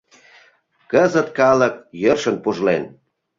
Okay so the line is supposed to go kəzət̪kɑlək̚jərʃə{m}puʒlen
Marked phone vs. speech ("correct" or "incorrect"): incorrect